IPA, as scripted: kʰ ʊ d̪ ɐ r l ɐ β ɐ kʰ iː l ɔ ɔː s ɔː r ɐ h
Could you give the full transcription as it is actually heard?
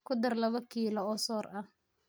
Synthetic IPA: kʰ ʊ d̪ ɐ r l ɐ β ɐ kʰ iː l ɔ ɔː s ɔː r ɐ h